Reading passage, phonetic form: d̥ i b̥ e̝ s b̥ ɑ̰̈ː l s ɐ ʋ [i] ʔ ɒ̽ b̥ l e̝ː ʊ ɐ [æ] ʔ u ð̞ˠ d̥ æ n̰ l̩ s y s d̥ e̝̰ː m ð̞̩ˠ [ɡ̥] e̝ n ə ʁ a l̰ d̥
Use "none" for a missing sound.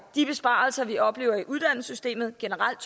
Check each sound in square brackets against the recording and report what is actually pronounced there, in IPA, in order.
i, i, ɡ̥

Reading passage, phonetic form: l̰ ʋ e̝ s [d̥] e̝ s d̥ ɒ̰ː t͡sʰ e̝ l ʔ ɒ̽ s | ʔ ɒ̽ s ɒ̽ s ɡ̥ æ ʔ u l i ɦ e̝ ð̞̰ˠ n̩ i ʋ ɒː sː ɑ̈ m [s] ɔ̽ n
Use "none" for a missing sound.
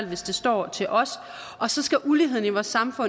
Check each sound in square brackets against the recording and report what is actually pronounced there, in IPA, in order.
d̥, f

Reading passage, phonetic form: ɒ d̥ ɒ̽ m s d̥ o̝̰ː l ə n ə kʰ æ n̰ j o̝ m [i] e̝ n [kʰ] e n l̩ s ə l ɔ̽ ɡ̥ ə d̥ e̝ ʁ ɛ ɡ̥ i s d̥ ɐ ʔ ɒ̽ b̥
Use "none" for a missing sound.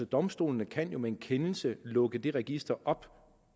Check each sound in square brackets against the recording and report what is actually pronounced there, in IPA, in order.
e, kʰ

